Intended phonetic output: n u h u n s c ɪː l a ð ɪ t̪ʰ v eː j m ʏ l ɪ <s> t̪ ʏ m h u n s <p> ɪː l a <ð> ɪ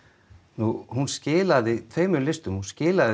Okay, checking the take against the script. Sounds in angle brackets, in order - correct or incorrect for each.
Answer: correct, incorrect: c, correct

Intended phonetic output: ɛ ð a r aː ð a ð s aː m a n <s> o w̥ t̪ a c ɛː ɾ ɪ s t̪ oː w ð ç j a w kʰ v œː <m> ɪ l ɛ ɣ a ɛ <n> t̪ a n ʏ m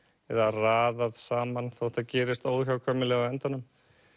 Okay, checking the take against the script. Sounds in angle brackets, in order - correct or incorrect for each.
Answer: incorrect: θ, correct, correct

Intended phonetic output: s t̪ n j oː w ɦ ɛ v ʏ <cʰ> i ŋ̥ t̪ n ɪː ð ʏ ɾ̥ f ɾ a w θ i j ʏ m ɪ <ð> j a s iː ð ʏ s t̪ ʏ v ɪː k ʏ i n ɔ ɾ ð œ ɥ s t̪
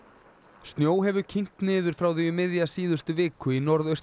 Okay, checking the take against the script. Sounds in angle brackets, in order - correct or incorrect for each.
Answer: correct, correct

